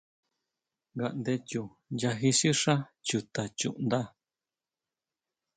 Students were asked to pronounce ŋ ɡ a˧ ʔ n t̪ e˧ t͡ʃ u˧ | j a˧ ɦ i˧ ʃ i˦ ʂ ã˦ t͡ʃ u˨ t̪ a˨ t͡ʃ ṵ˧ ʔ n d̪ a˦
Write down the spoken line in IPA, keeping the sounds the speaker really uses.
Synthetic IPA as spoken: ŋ ɡ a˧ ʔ n d̪ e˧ t͡ʃ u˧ | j a˧ ɦ i˧ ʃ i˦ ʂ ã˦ t͡ʃ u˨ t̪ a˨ t͡ʃ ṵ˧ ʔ n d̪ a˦

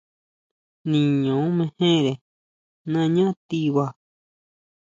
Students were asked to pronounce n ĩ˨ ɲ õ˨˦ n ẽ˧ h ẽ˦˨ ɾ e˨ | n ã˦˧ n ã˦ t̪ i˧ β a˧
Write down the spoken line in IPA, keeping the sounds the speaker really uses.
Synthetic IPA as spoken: n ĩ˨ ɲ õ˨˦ m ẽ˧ h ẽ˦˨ ɾ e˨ | n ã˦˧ ɲ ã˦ t̪ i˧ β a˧

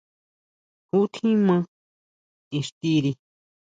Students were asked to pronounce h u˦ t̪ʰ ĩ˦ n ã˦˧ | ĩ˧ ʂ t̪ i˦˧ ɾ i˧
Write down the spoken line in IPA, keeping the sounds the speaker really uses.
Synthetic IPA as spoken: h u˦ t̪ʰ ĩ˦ m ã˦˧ | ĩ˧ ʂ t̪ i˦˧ ɾ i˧

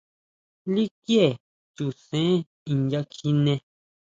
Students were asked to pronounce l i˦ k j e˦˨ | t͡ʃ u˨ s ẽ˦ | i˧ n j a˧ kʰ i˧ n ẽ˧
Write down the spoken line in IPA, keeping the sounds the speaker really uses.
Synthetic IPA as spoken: l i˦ k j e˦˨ | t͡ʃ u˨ s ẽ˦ | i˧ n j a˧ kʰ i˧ n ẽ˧

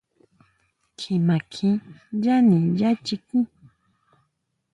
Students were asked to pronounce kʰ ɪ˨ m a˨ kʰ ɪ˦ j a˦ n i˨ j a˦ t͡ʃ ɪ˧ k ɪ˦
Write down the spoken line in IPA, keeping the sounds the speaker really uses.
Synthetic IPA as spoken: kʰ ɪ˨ m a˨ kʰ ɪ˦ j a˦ n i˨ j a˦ t͡ʃ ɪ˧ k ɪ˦

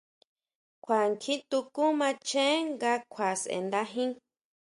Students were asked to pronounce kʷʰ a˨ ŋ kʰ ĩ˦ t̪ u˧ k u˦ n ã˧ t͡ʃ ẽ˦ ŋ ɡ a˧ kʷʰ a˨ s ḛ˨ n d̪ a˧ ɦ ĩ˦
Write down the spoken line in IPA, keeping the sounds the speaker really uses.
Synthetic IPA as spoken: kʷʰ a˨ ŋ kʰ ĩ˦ t̪ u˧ k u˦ m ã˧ t͡ʃ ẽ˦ ŋ ɡ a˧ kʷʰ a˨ s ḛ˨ n d̪ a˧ ɦ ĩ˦

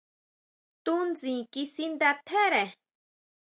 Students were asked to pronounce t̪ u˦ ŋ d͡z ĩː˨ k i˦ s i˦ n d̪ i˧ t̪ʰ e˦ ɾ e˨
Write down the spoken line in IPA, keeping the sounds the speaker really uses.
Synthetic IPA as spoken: t̪ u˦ n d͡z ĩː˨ k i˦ s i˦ n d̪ a˧ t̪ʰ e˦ ɾ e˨

